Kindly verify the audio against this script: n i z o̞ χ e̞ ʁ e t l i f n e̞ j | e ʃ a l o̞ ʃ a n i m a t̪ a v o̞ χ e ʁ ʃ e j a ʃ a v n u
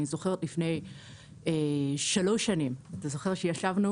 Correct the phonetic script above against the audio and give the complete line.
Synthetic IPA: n i z o̞ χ e̞ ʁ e t l i f n e̞ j | e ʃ a l o̞ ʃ a n i m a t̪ a z o̞ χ e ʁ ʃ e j a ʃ a v n u